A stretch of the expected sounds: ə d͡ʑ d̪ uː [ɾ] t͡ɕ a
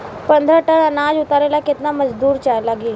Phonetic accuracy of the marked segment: correct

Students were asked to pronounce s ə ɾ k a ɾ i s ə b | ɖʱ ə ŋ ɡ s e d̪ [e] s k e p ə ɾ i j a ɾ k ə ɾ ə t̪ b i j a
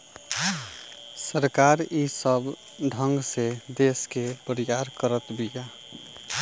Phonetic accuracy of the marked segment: correct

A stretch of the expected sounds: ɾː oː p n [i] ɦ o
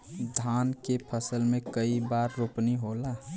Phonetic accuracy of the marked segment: correct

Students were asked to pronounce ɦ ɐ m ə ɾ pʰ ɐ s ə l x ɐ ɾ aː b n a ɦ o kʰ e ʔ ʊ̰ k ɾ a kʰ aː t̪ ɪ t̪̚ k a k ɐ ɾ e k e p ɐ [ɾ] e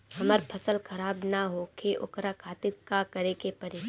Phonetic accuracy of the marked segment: correct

